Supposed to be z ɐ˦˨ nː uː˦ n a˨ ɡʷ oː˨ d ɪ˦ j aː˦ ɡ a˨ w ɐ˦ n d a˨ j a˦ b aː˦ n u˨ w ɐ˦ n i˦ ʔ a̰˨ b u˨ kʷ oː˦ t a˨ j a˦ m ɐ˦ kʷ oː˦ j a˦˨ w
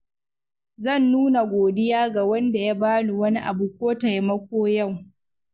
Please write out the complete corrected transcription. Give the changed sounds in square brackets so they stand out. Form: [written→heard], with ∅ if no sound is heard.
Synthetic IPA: z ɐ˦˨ nː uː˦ n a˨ ɡʷ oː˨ d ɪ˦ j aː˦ ɡ a˨ w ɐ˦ n d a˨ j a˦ b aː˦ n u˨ w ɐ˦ n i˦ ʔ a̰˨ b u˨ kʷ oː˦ t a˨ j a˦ m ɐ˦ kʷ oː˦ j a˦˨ w

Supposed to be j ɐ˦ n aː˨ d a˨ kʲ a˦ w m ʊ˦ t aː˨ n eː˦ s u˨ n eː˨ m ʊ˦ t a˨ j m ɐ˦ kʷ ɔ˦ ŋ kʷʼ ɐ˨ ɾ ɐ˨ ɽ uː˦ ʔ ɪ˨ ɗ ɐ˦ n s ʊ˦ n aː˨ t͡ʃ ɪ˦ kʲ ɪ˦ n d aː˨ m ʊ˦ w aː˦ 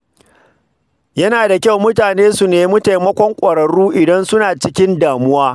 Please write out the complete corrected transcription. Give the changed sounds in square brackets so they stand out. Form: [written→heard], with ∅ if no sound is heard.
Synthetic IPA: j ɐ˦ n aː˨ d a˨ kʲ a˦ w m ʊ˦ t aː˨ n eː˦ s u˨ n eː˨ m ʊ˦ t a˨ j m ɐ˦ kʷ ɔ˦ ŋ kʷʼ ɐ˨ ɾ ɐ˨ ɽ uː˦ ʔ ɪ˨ [ɗ→d] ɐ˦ n s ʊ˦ n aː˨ t͡ʃ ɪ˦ kʲ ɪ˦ n d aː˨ m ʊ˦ w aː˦

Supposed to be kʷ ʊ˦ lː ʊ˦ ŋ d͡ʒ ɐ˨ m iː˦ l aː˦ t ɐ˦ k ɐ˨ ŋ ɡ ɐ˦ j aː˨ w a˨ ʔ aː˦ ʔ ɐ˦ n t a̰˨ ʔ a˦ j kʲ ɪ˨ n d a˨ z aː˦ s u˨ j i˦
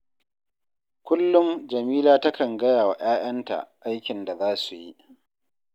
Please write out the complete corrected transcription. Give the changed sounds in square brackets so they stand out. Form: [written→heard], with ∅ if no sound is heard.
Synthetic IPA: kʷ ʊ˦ lː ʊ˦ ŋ d͡ʒ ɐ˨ m iː˦ l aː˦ t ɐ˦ k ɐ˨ ŋ ɡ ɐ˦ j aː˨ w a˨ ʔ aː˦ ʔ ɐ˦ n t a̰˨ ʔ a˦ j kʲ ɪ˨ n d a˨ z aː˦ s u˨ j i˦

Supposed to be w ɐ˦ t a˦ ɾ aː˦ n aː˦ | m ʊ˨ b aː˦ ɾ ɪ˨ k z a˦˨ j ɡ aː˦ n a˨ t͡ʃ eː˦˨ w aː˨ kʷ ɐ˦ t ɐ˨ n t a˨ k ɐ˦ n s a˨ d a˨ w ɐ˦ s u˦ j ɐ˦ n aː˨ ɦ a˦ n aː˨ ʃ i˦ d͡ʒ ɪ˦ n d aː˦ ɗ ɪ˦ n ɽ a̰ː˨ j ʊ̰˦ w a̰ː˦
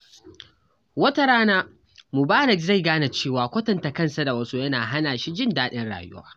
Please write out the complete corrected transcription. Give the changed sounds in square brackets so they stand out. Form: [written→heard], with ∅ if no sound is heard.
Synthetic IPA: w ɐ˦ t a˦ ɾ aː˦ n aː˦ | m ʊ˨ b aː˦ ɾ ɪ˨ k z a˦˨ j ɡ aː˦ n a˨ t͡ʃ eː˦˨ w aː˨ kʷ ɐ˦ t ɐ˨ n t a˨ k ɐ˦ n s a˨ d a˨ w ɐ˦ s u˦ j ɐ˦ n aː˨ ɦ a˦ n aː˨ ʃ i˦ d͡ʒ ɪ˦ n d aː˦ ɗ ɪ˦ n ɽ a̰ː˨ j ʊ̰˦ w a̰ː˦

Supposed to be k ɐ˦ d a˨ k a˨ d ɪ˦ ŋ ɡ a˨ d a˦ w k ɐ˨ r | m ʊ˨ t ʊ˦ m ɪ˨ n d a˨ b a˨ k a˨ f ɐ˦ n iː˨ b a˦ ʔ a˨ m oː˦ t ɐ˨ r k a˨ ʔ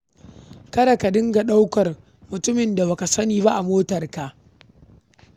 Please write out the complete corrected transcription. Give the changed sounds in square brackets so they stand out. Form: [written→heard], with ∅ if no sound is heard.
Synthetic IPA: k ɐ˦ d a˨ k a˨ d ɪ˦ ŋ ɡ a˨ [d→ɗ] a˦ w k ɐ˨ r | m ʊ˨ t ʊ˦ m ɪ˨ n d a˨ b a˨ k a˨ [f→s] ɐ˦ n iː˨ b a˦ ʔ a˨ m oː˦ t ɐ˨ r k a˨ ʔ

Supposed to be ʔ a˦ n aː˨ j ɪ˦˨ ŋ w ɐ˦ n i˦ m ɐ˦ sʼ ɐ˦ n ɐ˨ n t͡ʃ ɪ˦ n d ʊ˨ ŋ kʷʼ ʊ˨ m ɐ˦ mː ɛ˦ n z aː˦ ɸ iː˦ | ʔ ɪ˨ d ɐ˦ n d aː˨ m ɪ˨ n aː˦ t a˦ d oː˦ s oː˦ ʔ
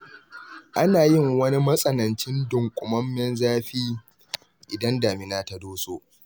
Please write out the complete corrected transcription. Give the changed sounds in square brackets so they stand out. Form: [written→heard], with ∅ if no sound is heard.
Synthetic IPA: ʔ a˦ n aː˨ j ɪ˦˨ ŋ w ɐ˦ n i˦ m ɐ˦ sʼ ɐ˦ n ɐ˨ n t͡ʃ ɪ˦ n d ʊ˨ ŋ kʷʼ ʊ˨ m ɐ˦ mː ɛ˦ n z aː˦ ɸ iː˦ | ʔ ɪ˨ d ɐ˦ n d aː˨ m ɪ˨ n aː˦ t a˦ d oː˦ s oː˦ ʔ

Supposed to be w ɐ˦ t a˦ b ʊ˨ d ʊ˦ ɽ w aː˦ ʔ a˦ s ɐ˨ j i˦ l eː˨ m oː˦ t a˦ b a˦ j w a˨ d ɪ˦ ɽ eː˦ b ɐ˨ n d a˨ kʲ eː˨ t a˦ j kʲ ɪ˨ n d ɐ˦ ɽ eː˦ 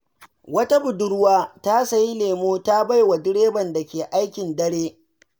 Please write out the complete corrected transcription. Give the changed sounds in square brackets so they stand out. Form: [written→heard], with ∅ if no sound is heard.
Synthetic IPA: w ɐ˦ t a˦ b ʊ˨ d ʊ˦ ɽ w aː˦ [ʔ→t] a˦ s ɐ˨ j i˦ l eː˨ m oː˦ t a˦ b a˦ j w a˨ d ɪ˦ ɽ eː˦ b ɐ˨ n d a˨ kʲ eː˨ [t→ʔ] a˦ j kʲ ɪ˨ n d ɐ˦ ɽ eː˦

